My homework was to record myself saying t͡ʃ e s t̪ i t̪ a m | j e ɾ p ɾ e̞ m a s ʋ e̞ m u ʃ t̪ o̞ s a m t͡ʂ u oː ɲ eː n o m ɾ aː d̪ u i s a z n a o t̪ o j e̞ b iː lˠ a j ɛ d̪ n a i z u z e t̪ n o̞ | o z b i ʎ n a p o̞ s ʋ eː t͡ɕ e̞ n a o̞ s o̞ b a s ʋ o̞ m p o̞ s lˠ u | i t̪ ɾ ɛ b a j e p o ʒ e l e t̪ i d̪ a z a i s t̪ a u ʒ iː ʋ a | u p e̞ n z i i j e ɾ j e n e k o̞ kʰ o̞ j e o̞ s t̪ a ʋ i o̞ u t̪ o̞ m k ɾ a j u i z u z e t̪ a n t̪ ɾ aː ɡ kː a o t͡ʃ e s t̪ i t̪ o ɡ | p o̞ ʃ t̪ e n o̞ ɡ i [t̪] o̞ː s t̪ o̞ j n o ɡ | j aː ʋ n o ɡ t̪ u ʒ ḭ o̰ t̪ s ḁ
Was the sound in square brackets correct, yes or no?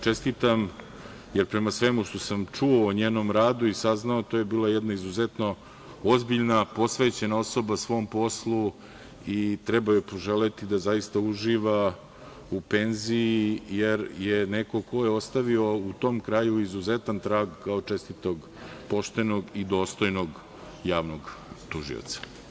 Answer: no